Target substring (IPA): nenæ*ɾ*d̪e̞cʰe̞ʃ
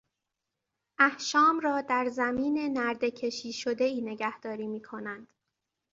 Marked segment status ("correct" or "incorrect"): correct